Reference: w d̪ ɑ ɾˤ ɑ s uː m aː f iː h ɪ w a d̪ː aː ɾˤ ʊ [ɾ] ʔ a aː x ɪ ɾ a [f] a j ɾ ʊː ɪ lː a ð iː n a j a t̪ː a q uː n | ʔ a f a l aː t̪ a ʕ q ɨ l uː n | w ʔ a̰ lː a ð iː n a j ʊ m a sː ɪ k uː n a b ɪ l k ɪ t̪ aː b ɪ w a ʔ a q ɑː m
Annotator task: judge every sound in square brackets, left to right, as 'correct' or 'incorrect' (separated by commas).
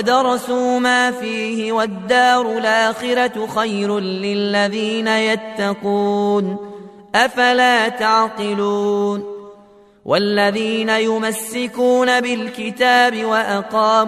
incorrect, incorrect